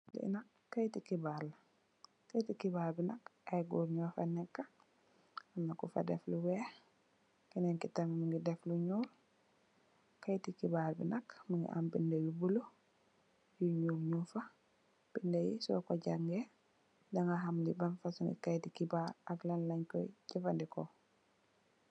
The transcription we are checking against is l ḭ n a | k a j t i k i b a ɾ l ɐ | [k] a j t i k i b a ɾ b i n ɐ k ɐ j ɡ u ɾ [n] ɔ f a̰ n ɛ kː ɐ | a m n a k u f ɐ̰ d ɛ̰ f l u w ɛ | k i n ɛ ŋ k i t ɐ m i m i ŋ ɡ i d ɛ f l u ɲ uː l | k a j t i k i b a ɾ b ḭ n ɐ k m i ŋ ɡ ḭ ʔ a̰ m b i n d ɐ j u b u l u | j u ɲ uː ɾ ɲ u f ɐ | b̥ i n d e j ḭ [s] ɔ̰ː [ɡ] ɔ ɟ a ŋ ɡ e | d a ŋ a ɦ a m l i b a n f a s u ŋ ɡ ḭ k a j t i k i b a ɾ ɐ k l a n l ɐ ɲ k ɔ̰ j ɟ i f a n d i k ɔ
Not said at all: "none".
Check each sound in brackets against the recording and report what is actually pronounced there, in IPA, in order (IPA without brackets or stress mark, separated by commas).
k, ɲ, s, k